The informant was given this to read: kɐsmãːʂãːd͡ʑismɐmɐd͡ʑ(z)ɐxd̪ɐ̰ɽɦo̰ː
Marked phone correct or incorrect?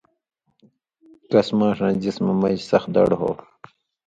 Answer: incorrect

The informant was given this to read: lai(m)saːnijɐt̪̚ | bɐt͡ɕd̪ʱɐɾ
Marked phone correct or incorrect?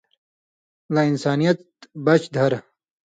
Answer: incorrect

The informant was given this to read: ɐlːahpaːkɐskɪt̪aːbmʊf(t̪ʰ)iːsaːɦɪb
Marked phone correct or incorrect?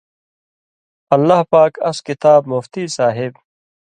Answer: incorrect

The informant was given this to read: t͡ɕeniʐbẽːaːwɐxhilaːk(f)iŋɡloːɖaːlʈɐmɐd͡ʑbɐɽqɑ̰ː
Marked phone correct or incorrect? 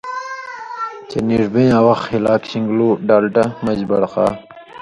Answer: incorrect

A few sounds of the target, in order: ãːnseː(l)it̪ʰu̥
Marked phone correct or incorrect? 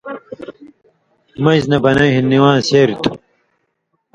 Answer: incorrect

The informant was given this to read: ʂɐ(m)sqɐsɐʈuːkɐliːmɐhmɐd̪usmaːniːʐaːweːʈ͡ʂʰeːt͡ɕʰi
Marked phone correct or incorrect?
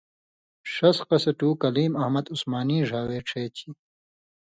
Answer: incorrect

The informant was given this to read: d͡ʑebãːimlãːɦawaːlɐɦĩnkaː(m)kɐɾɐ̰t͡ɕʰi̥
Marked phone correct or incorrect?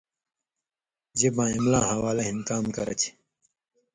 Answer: correct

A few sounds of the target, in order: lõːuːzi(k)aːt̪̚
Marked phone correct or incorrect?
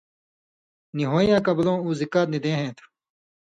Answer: correct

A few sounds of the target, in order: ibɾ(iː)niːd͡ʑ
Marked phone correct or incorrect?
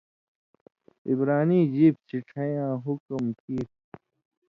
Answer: incorrect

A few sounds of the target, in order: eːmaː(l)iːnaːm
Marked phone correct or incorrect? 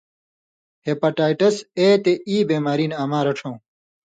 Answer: incorrect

